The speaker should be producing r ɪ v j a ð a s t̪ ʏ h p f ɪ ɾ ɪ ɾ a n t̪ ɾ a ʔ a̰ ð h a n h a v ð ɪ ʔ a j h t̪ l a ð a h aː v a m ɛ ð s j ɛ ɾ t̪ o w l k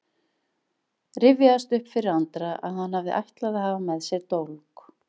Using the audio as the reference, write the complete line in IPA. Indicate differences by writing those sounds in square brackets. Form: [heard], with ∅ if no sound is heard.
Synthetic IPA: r ɪ v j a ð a s t̪ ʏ h p f ɪ ɾ ɪ ɾ a n t̪ ɾ a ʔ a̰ ð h a n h a v ð ɪ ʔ a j h t̪ l a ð a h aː v a m ɛ ð s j ɛ ɾ t̪ o w l k